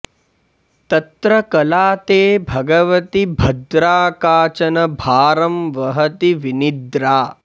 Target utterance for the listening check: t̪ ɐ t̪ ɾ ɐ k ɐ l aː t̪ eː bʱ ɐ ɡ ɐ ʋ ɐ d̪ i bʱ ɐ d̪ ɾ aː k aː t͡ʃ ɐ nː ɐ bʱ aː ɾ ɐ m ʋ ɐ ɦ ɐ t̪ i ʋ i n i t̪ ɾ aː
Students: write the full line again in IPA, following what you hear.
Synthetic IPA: t̪ ɐ t̪ ɾ ɐ k ɐ l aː t̪ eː bʱ ɐ ɡ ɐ ʋ ɐ t̪ i bʱ ɐ d̪ ɾ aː k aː t͡ʃ ɐ n ɐ bʱ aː ɾ ɐ m ʋ ɐ ɦ ɐ t̪ i ʋ i n i d̪ ɾ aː